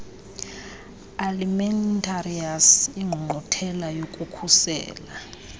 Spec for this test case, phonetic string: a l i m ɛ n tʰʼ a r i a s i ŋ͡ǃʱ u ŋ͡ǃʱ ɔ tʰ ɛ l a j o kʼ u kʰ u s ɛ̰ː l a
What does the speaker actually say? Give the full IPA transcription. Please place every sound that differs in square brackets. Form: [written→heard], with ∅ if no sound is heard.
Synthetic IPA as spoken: a l i m ɛ n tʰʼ a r i a s i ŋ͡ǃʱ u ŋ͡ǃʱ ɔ tʰ ɛ l a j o kʼ u kʰ u s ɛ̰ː l a